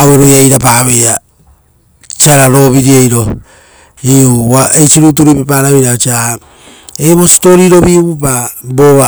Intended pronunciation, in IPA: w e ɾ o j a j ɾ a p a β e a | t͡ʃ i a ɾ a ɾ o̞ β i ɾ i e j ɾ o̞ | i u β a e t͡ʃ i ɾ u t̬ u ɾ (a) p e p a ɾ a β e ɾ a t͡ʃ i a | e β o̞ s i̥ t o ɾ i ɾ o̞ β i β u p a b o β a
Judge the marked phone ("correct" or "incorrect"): incorrect